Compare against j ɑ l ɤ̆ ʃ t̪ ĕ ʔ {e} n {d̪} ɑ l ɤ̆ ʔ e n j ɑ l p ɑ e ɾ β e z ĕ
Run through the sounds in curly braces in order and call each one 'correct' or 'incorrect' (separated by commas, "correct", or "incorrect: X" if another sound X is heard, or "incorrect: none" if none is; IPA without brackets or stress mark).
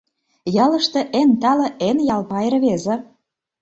correct, incorrect: t̪